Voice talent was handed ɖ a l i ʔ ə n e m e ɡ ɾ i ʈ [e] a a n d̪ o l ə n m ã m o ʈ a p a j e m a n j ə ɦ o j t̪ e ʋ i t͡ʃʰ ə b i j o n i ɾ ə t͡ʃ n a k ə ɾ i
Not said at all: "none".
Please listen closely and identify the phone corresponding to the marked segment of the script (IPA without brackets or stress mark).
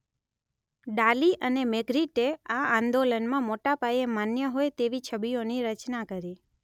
e